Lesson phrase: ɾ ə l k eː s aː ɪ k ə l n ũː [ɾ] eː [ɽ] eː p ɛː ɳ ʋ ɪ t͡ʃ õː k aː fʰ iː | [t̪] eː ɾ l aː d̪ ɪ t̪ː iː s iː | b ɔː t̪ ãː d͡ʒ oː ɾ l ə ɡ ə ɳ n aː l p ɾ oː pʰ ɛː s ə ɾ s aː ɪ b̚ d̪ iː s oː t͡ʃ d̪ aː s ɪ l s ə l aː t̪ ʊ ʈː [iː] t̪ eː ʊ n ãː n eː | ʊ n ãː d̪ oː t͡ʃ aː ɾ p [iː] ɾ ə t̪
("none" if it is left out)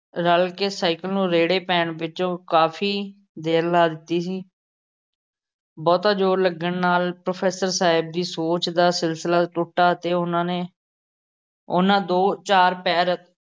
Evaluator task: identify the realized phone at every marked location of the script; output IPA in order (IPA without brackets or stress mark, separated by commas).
ɾ, ɽ, d̪, aː, ɛː